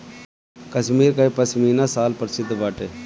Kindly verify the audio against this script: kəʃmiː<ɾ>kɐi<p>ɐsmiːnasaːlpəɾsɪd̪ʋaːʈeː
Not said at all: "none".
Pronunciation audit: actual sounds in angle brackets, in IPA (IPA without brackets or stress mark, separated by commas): ɾ, p